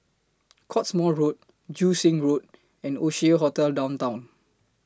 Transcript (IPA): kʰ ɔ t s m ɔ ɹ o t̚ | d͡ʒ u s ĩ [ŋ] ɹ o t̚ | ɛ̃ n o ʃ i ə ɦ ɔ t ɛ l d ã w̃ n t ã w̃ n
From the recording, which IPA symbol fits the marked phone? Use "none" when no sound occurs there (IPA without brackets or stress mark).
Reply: ŋ